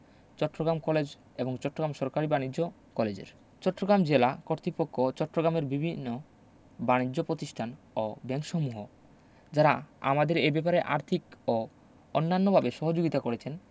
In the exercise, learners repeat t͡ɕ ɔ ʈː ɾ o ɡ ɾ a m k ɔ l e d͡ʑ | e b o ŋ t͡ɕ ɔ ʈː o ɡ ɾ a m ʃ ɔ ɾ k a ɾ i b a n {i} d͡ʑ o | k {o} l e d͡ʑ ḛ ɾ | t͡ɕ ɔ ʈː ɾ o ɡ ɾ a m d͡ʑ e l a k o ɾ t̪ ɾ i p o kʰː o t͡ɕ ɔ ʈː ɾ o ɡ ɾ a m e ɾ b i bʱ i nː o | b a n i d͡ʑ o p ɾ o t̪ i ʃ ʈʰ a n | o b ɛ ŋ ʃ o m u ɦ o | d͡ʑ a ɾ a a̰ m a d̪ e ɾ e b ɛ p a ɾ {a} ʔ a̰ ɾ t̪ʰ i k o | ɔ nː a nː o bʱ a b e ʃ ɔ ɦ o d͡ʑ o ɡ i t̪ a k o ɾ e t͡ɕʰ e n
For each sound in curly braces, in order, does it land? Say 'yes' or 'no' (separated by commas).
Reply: yes, no, no